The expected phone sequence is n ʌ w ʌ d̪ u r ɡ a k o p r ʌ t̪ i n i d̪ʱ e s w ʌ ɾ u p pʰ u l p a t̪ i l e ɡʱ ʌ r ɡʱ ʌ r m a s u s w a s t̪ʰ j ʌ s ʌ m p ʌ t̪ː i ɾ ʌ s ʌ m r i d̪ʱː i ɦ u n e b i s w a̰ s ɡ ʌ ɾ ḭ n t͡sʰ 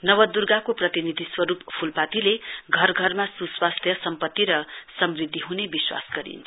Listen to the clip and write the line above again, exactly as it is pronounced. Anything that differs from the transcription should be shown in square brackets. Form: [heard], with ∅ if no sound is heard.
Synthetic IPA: n ʌ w ʌ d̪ u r ɡ a k o p r ʌ t̪ i n i d̪ʱ [i] s w ʌ ɾ u p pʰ u l p a t̪ i l e ɡʱ ʌ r ɡʱ ʌ r m a s u s w a s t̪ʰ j ʌ s ʌ m p ʌ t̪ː i ɾ ʌ s ʌ m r i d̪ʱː i ɦ u n e b i s w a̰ s ɡ ʌ ɾ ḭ n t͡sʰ